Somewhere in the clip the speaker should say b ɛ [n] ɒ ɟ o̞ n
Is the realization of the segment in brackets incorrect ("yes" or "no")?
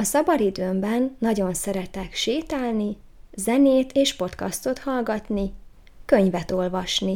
yes